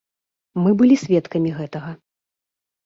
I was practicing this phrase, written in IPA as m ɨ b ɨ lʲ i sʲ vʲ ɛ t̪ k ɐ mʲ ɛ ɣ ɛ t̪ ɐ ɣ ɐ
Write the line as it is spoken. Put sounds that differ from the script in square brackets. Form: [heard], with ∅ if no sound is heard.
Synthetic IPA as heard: m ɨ b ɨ lʲ i sʲ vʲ ɛ t̪ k ɐ mʲ [i] ɣ ɛ t̪ ɐ ɣ ɐ